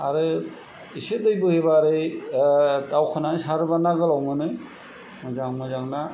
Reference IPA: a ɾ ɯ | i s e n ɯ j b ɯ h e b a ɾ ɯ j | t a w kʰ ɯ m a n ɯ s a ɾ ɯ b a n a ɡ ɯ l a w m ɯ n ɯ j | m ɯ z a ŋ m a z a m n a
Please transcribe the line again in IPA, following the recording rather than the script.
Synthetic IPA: a ɾ ɯ | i s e d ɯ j b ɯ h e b a ɾ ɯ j | t a w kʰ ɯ n a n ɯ s a ɾ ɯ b a n a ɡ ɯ l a w m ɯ n ɯ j | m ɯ z a ŋ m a z a ŋ n a

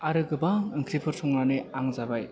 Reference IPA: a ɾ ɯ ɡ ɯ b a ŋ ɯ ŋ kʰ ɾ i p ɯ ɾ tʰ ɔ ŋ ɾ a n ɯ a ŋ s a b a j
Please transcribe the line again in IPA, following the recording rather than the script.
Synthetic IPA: a ɾ ɯ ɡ ɯ b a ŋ ɯ ŋ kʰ ɾ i pʰ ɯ ɾ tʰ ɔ ŋ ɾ a n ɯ a ŋ z a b a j

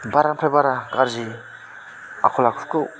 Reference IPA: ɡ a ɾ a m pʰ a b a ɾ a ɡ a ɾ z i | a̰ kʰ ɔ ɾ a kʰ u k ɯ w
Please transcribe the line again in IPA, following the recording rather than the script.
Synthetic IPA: b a ɾ a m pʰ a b a ɾ a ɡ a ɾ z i | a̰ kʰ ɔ l a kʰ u k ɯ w

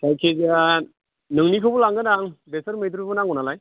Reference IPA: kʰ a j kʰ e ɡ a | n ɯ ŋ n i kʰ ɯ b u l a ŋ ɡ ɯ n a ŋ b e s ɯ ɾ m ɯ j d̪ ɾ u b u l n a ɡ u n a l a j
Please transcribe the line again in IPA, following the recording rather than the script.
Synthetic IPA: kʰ a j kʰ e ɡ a | n ɯ ŋ n i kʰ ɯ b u l a ŋ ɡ ɯ n a ŋ b e s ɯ ɾ m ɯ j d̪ ɾ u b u n a ŋ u n a l a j

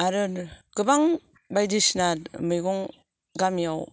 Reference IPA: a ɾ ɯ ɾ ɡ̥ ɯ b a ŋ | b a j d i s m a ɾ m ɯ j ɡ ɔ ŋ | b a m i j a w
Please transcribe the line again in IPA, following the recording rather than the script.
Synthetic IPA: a ɾ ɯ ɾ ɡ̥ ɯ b a ŋ | b a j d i s n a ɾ m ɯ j ɡ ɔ ŋ | ɡ a m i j a w

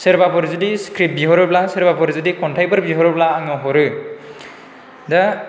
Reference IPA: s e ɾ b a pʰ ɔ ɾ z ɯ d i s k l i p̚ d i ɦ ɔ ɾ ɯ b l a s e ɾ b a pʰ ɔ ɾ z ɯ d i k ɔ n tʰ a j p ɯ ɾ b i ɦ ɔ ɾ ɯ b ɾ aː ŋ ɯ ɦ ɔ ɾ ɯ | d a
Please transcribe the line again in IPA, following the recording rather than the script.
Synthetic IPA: s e ɾ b a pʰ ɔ ɾ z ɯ d i s k ɾ i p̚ b i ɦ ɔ ɾ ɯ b l a s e ɾ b a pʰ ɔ ɾ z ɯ d i k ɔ n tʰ a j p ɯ ɾ b i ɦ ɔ ɾ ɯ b l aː ŋ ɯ ɦ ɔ ɾ ɯ | d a

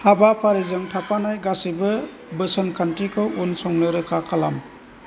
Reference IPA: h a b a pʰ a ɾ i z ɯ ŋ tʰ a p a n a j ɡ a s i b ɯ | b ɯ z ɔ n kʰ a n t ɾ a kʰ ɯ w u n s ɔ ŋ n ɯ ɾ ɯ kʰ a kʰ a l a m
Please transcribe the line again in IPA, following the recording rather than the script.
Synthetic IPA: h a b a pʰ a ɾ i z ɯ ŋ tʰ a p a n a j ɡ a s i b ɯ | b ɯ s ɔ n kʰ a n t ɾ i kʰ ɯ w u n s ɔ ŋ n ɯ ɾ ɯ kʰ a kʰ a l a m

